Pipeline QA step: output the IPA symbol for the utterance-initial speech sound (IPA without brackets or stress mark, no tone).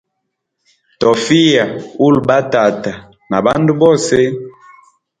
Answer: t